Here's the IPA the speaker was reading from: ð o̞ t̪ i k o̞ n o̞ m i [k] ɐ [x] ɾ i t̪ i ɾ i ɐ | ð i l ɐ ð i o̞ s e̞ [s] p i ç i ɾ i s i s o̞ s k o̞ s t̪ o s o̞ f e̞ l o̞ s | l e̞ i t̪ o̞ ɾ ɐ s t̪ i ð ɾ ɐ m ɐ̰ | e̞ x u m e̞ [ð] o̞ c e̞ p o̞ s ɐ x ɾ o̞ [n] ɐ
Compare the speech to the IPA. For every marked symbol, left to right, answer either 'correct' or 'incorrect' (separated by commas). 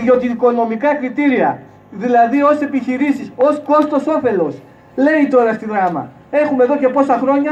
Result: correct, incorrect, incorrect, correct, incorrect